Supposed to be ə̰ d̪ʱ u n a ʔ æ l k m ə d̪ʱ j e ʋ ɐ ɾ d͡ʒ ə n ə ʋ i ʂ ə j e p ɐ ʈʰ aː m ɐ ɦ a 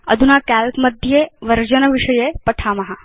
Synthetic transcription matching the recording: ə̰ d̪ʱ u n a k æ l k m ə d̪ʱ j e ʋ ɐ ɾ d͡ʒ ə n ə ʋ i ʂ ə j e p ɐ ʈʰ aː m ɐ ɦ a